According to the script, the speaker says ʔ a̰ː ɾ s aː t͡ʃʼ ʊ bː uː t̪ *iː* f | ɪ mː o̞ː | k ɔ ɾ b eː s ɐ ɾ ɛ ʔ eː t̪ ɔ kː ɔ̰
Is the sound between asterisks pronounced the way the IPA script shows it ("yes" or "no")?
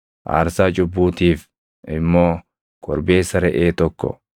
yes